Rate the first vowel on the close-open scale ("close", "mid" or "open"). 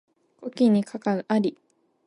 mid